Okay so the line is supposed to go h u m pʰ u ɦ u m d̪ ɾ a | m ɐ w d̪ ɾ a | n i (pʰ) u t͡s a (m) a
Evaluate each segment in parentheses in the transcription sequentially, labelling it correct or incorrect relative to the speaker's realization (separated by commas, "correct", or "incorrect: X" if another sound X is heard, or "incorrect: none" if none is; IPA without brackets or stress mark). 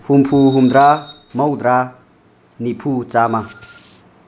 correct, correct